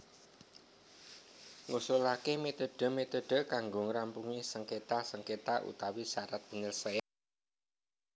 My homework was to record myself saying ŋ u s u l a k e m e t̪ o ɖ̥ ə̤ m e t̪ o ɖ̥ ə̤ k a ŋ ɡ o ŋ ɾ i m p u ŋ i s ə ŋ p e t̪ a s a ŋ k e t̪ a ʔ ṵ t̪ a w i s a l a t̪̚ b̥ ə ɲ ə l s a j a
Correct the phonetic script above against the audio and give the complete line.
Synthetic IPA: ŋ u s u l a k e m e t̪ o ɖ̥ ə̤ m e t̪ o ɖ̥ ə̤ k a ŋ ɡ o ŋ ɾ a m p u ŋ i s ə ŋ k e t̪ a s ə ŋ k e t̪ a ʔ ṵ t̪ a w i s a ɾ a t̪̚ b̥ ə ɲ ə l s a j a